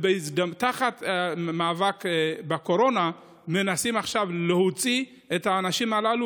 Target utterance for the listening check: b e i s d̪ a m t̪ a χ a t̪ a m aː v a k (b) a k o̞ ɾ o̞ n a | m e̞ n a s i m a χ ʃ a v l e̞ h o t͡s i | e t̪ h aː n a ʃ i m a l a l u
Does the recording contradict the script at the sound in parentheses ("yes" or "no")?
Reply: no